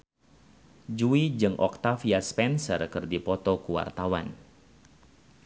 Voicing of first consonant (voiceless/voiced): voiced